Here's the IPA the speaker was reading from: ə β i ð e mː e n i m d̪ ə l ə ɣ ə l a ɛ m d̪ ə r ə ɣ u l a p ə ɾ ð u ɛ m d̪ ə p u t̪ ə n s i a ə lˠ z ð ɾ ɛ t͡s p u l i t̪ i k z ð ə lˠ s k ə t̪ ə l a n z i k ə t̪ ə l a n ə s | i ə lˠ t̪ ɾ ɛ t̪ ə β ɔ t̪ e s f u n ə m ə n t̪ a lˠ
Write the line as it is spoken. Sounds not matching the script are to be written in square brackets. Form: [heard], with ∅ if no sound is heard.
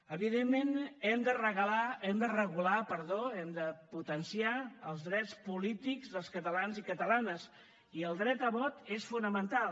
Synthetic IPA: ə β i ð e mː e n [ɛ] m d̪ ə [r] ə ɣ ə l a ɛ m d̪ ə r ə ɣ u l a p ə ɾ ð [o] ɛ m d̪ ə p u t̪ ə n s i a ə lˠ z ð ɾ ɛ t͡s p u l i t̪ i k z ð ə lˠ s k ə t̪ ə l a n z i k ə t̪ ə l a n ə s | i ə lˠ [d̪] ɾ ɛ t̪ ə β ɔ t̪ e s f u n ə m ə n t̪ a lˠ

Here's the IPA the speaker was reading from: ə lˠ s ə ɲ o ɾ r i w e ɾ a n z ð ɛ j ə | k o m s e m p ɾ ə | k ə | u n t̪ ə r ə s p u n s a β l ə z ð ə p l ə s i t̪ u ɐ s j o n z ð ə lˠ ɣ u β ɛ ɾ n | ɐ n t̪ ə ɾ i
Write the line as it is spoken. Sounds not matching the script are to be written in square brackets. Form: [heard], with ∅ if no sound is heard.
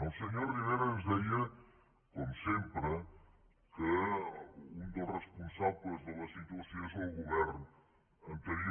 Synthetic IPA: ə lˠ s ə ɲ o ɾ r i [β] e ɾ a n z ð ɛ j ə | k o m s e m p ɾ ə | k ə | u n [d̪] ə r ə s p u n s a β l ə z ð ə [∅] l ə s i t̪ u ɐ s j o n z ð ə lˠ ɣ u β ɛ ɾ n | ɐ n t̪ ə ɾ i

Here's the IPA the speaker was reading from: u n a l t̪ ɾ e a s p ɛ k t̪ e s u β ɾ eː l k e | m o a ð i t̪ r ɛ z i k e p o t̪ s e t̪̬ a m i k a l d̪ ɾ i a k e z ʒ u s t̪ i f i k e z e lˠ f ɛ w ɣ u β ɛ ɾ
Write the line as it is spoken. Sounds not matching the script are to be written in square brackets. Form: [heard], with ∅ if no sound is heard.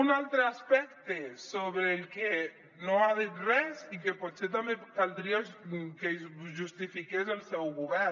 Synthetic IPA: u n a l t̪ ɾ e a s p ɛ k t̪ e s [o] β ɾ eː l k e | [n] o a ð i t̪ r ɛ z i k e p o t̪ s e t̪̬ a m [e] k a l d̪ ɾ i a k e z ʒ u s t̪ i f i k e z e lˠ [s] ɛ w ɣ u β ɛ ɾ

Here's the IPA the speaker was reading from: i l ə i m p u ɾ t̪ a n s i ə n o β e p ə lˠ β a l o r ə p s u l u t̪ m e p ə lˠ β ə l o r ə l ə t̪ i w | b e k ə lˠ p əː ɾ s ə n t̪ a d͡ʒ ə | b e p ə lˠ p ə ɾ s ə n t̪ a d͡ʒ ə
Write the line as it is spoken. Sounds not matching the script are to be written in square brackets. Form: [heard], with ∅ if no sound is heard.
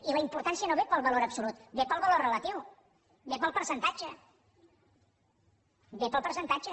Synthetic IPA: i l ə i m p u ɾ t̪ a n s i ə n o β e p ə lˠ β [ə] l o [ɾ] ə p s u l u t̪ [b] e p ə lˠ β ə l o r ə l ə t̪ i w | b e [p] ə lˠ p [ə] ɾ s ə n t̪ a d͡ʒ ə | b e p ə lˠ p ə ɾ s ə n t̪ a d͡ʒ ə

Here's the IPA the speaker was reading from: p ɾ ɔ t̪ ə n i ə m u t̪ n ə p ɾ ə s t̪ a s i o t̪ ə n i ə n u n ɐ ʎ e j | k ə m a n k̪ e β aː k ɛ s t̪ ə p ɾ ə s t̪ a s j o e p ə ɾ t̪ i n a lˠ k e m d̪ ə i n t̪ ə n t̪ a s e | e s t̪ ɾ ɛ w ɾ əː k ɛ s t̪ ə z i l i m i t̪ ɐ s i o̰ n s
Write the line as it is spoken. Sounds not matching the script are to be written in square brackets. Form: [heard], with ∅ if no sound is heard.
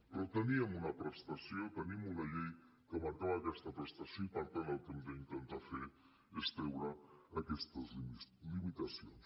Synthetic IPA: p ɾ ɔ t̪ ə n i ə m u [∅] n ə p ɾ ə s t̪ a s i o t̪ ə n i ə [m] u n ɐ ʎ e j | k ə m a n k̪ [a] β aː k ɛ s t̪ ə p ɾ ə s t̪ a s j o [i] p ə ɾ t̪ [a] n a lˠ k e m d̪ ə i n t̪ ə n t̪ a [f] e | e s t̪ ɾ ɛ w ɾ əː k ɛ s t̪ ə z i l i m i t̪ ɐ s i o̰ n s

